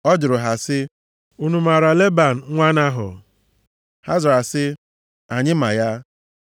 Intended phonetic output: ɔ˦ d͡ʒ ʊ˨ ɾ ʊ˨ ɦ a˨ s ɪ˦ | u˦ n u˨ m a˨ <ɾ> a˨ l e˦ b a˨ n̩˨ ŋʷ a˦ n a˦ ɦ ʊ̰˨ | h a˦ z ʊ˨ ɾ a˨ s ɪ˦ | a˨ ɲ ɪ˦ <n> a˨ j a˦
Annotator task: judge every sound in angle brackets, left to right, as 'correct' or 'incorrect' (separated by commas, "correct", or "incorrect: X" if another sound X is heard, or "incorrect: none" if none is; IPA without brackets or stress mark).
correct, incorrect: m